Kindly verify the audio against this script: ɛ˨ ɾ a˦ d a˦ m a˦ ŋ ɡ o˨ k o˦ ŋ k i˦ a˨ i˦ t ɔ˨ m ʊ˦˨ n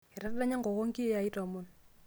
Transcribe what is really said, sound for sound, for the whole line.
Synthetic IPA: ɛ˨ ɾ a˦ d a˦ ɲ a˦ ŋ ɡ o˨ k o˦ ŋ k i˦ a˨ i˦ t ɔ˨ m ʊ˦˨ n